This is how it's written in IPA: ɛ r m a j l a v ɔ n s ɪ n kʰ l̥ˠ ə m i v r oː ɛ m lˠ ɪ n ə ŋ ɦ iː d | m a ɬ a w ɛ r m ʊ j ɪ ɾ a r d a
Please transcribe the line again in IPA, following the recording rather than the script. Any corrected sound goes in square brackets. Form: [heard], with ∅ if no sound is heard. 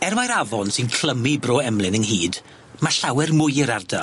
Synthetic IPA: ɛ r m a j [ɾ] a v ɔ n s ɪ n kʰ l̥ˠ ə m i [b] r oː ɛ m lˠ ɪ n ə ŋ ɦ iː d | m a ɬ a w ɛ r m ʊ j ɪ ɾ a r d a